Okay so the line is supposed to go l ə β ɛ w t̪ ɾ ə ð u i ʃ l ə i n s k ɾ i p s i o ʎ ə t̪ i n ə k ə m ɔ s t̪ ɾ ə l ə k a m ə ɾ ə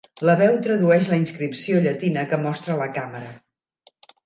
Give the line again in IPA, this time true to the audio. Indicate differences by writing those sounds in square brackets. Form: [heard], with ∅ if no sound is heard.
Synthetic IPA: l ə β ɛ w t̪ ɾ ə ð u [ɛ] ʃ l ə i n s k ɾ i p s i o ʎ ə t̪ i n ə k ə m ɔ s t̪ ɾ ə l ə k a m ə ɾ ə